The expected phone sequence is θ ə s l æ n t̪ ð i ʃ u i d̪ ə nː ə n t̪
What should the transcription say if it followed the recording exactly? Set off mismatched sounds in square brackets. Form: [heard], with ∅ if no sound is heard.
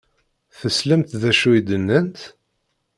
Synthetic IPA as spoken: θ ə s l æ [m] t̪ ð [æ] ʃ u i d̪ ə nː ə n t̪